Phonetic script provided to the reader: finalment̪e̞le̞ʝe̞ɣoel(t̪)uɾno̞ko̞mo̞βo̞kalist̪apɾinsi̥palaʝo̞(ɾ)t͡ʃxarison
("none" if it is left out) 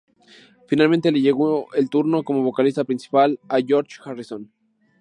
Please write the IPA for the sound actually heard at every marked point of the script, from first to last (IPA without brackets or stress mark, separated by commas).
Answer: t̪, ɾ